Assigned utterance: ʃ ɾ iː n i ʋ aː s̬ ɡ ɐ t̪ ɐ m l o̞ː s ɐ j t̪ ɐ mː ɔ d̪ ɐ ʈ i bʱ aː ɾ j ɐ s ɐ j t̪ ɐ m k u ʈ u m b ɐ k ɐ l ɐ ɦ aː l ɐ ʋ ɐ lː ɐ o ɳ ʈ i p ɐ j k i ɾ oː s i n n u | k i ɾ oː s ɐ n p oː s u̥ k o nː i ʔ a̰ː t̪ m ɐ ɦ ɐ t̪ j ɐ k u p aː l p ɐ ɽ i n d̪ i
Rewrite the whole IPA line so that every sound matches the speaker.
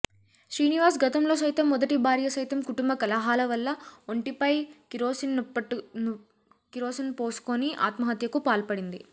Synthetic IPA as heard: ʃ ɾ iː n i ʋ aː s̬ ɡ ɐ t̪ ɐ m l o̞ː s ɐ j t̪ ɐ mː ɔ d̪ ɐ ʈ i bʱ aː ɾ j ɐ s ɐ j t̪ ɐ m k u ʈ u m b ɐ k ɐ l ɐ ɦ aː l ɐ ʋ ɐ lː ɐ o ɳ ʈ i p ɐ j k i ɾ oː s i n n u | k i ɾ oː s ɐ n p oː s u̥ k o n i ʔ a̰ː t̪ m ɐ ɦ ɐ t̪ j ɐ k u p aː l p ɐ ɽ i n d̪ i